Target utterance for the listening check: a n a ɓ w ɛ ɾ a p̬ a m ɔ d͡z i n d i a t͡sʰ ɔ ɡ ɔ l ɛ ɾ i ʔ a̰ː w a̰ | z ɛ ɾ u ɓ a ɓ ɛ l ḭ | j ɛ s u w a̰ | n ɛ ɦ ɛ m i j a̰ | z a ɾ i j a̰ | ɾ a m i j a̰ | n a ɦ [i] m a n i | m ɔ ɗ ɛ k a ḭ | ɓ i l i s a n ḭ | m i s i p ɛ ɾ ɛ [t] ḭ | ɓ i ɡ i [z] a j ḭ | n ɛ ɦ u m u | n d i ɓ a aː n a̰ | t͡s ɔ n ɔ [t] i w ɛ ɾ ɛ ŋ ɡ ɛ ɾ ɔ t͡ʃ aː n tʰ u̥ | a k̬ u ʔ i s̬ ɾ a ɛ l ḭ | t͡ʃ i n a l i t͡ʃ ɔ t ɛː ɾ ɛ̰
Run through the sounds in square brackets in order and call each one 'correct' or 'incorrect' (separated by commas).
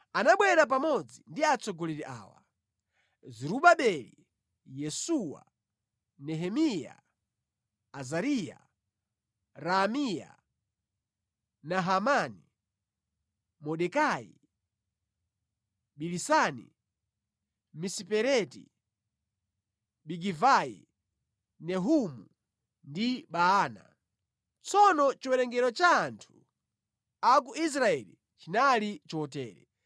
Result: incorrect, correct, incorrect, incorrect